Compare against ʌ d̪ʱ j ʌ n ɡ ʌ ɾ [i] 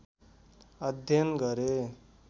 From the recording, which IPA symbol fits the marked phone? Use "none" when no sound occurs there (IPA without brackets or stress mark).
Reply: e